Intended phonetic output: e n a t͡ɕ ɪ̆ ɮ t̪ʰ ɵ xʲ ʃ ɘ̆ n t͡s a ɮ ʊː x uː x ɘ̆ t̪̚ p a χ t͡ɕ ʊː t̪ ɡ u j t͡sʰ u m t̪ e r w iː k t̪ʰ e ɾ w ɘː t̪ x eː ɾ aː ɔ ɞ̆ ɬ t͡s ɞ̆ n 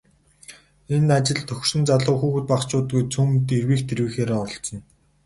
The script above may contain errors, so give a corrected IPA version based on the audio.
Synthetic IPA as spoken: e n a t͡ɕ ɪ̆ ɮ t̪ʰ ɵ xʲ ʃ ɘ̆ n t͡s a ɮ ʊː x uː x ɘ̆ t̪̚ p a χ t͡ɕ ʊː t̪ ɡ u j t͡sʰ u m t̪ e r w iː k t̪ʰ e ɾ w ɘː x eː ɾ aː ɔ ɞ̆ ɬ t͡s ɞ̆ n